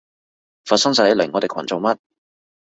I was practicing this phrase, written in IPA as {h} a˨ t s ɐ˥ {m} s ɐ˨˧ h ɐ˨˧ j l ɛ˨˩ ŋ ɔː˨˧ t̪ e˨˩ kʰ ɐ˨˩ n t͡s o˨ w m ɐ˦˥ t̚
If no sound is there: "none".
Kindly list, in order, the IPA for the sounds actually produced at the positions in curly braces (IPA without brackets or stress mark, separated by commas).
f, ŋ